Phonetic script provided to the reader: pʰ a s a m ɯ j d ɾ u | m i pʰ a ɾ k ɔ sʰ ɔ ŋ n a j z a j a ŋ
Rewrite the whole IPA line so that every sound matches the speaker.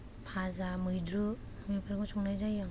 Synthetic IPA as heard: pʰ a z a m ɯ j d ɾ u | m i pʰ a ɾ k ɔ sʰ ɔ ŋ n a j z a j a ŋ